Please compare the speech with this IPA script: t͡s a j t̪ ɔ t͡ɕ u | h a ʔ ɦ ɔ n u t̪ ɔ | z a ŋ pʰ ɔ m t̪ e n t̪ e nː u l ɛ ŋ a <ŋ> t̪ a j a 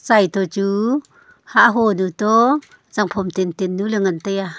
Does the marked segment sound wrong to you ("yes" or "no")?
yes